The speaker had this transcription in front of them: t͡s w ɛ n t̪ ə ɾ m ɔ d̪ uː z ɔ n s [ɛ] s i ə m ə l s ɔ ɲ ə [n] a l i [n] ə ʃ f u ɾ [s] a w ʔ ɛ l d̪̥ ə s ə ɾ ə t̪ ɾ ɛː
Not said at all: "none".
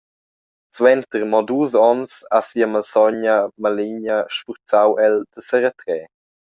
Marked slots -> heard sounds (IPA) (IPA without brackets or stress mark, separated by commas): a, m, ɲ, t͡s